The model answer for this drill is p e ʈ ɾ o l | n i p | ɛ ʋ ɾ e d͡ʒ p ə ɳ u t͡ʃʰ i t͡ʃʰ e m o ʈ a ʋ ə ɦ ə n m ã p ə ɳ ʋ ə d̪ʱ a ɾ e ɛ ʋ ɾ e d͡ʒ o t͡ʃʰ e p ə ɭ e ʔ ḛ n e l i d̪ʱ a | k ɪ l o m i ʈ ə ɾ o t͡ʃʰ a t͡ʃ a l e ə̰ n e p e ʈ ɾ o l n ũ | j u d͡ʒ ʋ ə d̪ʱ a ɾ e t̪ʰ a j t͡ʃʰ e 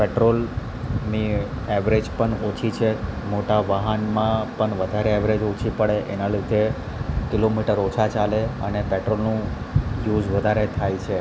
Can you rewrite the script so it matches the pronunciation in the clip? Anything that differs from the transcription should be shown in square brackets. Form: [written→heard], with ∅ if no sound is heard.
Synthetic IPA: p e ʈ ɾ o l | n i [p→∅] | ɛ ʋ ɾ e d͡ʒ p ə ɳ [u→o] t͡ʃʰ i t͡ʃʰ e m o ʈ a ʋ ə ɦ ə n m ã p ə ɳ ʋ ə d̪ʱ a ɾ e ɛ ʋ ɾ e d͡ʒ o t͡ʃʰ [e→i] p ə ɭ e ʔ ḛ n [e→a] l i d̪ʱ [a→e] | k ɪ l o m i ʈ ə ɾ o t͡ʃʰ a t͡ʃ a l e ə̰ n e p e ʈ ɾ o l n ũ | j u d͡ʒ ʋ ə d̪ʱ a ɾ e t̪ʰ a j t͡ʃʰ e

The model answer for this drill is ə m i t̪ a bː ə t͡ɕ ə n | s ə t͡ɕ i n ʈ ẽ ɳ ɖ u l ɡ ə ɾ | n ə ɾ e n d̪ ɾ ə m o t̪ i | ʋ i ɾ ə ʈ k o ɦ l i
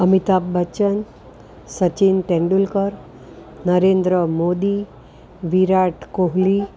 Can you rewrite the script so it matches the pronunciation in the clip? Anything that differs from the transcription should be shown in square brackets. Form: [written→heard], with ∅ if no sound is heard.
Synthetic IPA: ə m i t̪ a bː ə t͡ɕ ə n | s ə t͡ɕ i n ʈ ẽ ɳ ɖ u l [ɡ→k] ə ɾ | n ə ɾ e n d̪ ɾ ə m o [t̪→d̪] i | ʋ i ɾ [ə→a] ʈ k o ɦ l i

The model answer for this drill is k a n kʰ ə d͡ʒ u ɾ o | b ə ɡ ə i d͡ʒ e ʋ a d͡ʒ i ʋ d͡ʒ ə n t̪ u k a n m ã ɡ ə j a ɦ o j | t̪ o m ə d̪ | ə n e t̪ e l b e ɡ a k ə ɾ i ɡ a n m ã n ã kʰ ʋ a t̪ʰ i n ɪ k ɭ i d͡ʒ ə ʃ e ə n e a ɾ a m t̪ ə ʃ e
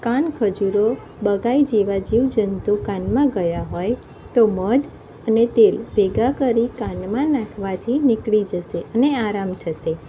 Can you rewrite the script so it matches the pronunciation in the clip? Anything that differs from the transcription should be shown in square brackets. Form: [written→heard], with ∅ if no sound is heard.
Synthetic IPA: k a n kʰ ə d͡ʒ u ɾ o | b ə ɡ [ə→a] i d͡ʒ e ʋ a d͡ʒ i ʋ d͡ʒ ə n t̪ u k a n m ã ɡ ə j a ɦ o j | t̪ o m ə d̪ | ə n e t̪ e l b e ɡ a k ə ɾ i [ɡ→k] a n m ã n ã kʰ ʋ a t̪ʰ i n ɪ k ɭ i d͡ʒ ə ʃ e ə n e a ɾ a m [t̪→t̪ʰ] ə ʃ e

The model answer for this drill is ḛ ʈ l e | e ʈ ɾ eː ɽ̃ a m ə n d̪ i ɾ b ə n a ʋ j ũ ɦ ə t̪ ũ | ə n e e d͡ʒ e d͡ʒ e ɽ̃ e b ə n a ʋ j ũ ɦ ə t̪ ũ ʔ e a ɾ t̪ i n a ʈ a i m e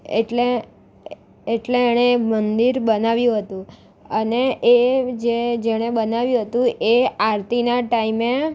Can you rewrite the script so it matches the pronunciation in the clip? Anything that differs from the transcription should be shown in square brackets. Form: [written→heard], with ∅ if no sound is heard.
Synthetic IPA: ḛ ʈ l e | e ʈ [ɾ→l] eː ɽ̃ [a→e] m ə n d̪ i ɾ b ə n a ʋ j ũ ɦ ə t̪ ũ | ə n e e d͡ʒ e d͡ʒ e ɽ̃ e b ə n a ʋ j ũ ɦ ə t̪ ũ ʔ e a ɾ t̪ i n a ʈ a i m e

